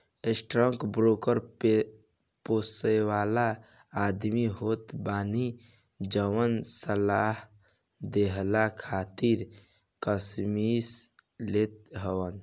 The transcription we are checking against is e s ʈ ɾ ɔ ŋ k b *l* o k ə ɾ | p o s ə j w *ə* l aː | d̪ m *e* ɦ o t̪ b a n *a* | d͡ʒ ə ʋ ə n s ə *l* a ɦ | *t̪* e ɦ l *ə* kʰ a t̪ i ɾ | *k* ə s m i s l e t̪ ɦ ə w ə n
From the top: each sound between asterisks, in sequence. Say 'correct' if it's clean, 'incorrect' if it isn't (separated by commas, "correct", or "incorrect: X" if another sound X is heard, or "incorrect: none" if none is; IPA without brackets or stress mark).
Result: incorrect: ɾ, incorrect: a, incorrect: i, incorrect: i, correct, incorrect: d̪, incorrect: a, correct